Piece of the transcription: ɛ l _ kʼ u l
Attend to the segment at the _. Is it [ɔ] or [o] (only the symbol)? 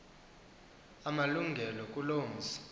ɔ